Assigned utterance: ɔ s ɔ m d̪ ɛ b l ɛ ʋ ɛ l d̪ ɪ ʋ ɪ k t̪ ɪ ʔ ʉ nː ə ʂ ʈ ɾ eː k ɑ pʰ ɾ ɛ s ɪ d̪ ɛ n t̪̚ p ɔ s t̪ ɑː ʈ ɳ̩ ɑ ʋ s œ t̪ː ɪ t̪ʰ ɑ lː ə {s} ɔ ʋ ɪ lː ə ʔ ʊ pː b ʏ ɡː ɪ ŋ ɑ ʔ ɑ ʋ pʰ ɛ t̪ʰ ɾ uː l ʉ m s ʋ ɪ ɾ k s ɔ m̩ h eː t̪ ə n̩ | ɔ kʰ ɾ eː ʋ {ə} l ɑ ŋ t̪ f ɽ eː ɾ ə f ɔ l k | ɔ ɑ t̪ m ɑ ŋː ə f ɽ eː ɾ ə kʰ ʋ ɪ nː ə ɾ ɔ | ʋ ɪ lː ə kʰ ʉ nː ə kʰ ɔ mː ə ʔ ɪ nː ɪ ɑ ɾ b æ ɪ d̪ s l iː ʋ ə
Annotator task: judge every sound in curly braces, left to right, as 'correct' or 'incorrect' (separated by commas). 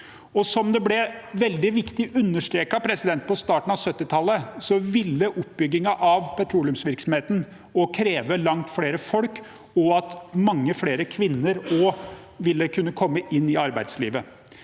correct, correct